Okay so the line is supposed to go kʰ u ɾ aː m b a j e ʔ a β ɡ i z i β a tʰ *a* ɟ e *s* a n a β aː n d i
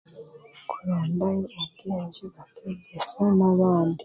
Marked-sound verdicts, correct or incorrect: incorrect: e, correct

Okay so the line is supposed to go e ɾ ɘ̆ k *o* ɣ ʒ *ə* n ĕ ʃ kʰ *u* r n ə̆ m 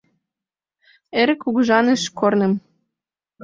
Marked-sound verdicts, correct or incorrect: incorrect: u, incorrect: ɑ, incorrect: o

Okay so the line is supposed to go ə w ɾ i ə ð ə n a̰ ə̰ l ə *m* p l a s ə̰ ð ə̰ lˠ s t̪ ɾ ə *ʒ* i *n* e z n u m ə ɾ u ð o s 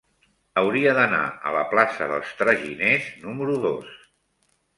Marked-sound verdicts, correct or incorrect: incorrect: none, correct, correct

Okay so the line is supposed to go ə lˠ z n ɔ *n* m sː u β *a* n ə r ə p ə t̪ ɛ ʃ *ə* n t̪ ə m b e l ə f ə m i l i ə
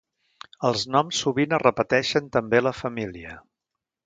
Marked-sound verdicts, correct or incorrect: incorrect: none, incorrect: i, correct

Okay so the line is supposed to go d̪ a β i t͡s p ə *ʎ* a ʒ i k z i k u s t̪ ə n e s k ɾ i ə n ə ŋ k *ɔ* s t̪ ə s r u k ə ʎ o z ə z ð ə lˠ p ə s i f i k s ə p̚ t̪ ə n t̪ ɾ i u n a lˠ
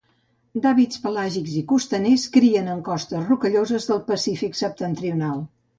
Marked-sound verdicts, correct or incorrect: incorrect: l, correct

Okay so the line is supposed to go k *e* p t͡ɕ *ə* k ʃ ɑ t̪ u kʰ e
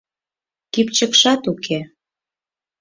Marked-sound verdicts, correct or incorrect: incorrect: i, correct

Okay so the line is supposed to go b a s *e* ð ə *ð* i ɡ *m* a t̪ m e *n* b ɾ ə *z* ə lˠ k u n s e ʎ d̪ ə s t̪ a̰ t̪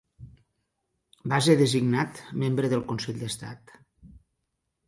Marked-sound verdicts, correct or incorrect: correct, incorrect: z, incorrect: n, incorrect: m, incorrect: ð

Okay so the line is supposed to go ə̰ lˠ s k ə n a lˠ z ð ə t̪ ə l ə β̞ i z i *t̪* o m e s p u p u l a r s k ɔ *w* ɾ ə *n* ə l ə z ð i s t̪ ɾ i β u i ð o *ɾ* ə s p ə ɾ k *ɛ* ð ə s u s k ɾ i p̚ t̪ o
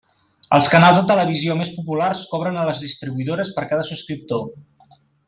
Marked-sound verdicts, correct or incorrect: incorrect: none, incorrect: β, correct, correct, incorrect: a

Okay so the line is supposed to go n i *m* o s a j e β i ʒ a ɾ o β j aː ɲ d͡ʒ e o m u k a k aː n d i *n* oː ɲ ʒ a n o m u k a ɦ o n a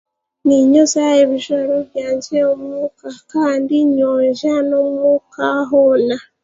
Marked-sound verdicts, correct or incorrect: incorrect: ɲ, incorrect: ɲ

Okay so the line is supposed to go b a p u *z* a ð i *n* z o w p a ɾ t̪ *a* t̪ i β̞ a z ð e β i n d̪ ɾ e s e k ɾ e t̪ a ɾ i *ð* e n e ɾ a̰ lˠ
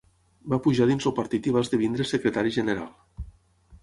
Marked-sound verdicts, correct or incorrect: incorrect: ʒ, correct, incorrect: i, incorrect: ʒ

